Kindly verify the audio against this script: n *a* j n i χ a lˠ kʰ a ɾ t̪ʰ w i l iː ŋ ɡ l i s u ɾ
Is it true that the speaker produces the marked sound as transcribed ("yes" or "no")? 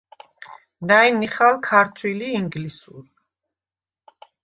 yes